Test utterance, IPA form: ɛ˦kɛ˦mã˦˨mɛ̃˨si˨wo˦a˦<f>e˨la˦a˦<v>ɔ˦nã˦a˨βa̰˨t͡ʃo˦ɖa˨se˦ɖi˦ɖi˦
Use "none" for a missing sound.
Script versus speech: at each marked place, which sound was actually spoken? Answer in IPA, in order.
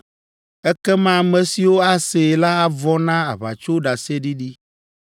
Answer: s, v

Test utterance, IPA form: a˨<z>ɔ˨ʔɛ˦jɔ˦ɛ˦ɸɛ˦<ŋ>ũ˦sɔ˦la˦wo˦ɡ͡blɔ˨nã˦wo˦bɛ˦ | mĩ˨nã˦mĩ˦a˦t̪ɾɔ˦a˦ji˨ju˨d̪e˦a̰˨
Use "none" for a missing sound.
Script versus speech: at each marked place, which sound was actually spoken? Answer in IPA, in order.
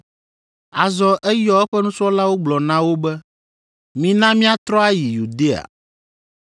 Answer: z, n

